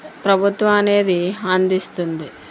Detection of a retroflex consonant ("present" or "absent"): absent